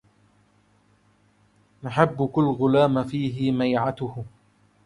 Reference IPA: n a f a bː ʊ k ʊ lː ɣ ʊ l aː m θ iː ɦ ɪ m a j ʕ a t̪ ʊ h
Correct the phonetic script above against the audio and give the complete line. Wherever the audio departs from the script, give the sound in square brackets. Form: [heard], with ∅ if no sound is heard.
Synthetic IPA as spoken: n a [ħ] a bː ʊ k ʊ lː ɣ ʊ l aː m [f] iː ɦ ɪ m a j ʕ a t̪ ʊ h